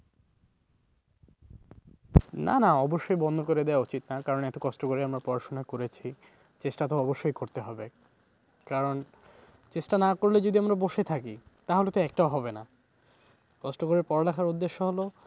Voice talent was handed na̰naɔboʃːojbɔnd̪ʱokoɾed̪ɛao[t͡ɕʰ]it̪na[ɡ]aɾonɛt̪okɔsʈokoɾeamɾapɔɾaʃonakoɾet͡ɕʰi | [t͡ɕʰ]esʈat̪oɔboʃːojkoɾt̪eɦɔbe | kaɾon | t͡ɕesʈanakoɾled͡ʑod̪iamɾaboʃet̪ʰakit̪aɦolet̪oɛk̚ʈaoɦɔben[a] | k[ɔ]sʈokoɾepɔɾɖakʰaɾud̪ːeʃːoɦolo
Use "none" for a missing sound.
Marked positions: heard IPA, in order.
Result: t͡ɕ, k, t͡ɕ, a, ɔ

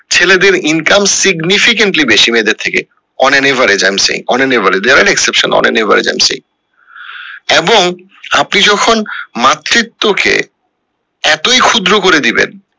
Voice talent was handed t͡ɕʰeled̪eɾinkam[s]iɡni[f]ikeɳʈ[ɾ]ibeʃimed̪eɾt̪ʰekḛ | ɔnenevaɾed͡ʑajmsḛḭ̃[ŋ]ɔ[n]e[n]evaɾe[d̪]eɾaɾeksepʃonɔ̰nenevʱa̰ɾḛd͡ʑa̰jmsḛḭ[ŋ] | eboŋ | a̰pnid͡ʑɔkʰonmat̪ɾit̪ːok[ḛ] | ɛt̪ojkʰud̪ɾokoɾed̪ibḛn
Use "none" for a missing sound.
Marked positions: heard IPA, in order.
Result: s, f, l, ŋ, n, n, d̪, ŋ, ḛ

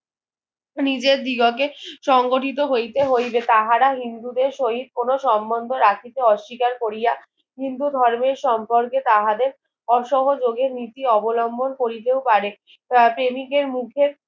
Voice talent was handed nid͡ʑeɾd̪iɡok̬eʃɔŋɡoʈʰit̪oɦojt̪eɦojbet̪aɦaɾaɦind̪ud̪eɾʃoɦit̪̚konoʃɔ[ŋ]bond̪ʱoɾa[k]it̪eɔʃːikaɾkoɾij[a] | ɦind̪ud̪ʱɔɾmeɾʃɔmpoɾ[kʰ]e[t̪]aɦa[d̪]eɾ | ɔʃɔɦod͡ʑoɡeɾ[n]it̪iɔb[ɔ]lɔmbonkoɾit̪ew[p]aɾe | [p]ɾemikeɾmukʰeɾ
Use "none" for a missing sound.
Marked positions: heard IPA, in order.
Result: m, kʰ, a, k, t̪, d̪, n, o, p, p

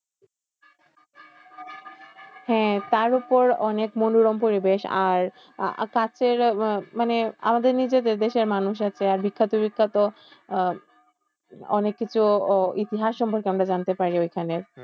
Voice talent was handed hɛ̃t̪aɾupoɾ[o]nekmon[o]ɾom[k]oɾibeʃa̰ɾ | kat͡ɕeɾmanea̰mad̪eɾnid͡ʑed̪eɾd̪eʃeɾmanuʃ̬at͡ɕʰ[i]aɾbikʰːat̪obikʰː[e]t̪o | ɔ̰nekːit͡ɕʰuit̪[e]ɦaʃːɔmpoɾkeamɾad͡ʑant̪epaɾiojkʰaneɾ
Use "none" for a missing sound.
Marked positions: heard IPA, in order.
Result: ɔ, u, p, e, a, i

